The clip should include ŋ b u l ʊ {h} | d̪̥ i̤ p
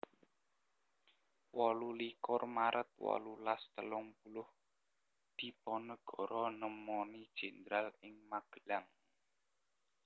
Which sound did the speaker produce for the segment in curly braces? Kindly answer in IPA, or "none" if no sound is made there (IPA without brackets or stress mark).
h